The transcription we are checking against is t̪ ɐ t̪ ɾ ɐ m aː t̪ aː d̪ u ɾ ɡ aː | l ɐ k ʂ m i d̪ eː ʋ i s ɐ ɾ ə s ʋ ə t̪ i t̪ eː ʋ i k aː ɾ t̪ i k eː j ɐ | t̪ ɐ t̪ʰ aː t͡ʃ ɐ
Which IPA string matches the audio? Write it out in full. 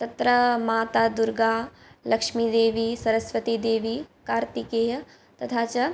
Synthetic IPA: t̪ ɐ t̪ ɾ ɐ m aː t̪ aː d̪ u ɾ ɡ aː | l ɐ k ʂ m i d̪ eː ʋ i s ɐ ɾ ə s ʋ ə t̪ i d̪ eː ʋ i k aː ɾ t̪ i k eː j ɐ | t̪ ɐ t̪ʰ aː t͡ʃ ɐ